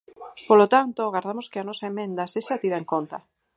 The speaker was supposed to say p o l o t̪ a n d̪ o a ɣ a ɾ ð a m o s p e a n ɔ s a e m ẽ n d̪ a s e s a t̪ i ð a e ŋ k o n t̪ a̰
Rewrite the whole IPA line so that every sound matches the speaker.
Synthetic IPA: p o l o t̪ a n t̪ o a ɣ a ɾ ð a m o s k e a n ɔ s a e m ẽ n d̪ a s e ʃ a t̪ i ð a e ŋ k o n t̪ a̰